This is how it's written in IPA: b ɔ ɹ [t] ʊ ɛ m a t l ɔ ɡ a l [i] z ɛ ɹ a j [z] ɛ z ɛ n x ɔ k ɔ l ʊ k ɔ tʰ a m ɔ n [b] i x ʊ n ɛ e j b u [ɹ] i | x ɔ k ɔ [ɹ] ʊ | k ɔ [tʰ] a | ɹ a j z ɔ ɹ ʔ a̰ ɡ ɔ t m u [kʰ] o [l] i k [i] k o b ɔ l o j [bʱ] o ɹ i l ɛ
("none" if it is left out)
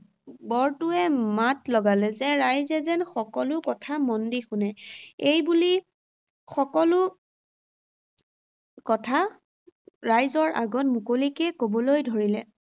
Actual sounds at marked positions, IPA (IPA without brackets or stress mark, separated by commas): t, ɛ, z, d, l, l, tʰ, k, l, ɛ, dʱ